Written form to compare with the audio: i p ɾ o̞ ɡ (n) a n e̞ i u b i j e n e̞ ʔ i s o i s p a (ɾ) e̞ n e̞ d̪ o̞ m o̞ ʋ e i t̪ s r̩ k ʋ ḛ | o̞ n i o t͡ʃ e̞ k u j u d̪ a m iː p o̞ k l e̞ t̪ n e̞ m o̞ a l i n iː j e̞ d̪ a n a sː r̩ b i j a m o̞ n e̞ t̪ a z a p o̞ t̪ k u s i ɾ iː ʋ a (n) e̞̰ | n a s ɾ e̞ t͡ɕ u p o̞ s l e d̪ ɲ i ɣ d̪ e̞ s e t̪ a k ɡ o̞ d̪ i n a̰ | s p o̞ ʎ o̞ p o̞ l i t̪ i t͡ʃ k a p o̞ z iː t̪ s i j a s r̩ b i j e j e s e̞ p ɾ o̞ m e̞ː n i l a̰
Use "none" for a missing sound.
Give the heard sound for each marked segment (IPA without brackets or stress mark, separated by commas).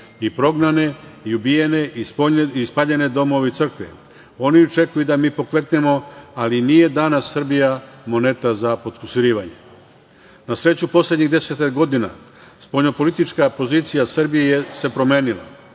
n, ʎ, ɲ